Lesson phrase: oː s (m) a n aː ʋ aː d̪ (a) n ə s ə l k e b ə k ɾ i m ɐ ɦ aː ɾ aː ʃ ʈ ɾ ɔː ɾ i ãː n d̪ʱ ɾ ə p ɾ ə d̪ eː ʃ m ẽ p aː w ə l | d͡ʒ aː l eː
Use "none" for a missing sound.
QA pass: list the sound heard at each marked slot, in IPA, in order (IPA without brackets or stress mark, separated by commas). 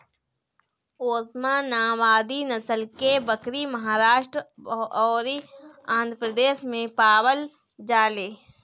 m, i